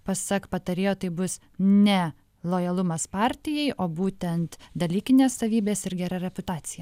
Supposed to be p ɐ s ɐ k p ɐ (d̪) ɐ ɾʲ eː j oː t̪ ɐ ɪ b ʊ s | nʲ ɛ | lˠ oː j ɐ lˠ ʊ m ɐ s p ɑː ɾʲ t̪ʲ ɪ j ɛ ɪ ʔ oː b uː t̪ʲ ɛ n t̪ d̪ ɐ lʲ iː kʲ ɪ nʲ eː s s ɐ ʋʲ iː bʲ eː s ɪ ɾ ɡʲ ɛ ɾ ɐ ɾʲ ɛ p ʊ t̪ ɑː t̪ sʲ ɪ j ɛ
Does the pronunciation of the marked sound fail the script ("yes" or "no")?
yes